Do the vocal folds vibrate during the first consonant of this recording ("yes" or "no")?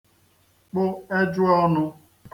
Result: no